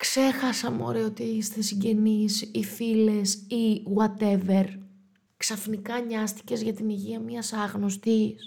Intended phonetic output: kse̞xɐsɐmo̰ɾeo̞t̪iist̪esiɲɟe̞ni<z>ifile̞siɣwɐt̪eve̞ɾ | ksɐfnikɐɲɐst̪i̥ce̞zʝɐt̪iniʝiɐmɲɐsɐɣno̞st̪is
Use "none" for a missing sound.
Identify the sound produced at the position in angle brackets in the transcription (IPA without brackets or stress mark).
s